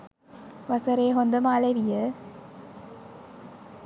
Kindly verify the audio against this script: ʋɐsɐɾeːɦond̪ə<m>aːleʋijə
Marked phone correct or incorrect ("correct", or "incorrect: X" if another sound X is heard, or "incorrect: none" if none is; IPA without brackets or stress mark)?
correct